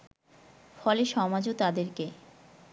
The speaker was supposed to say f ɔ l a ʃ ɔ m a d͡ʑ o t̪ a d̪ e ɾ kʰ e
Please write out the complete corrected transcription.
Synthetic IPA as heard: f ɔ l e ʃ ɔ m a d͡ʑ o t̪ a d̪ e ɾ k e